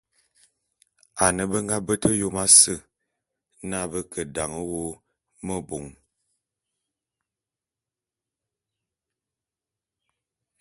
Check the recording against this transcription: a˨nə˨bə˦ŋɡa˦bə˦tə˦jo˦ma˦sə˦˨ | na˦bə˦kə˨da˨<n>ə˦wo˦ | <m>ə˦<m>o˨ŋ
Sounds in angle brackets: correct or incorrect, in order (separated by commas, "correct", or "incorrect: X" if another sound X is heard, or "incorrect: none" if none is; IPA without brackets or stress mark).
incorrect: ŋ, correct, incorrect: b